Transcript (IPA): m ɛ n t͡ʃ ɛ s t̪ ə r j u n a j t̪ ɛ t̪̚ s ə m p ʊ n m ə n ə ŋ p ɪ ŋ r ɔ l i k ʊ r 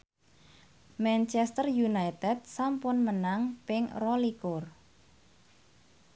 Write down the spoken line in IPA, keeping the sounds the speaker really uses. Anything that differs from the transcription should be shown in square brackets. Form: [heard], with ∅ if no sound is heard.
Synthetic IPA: m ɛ n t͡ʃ ɛ s t̪ ə r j u n a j t̪ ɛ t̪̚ s [a] m p ʊ n m ə n [a] ŋ p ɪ ŋ r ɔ l i k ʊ r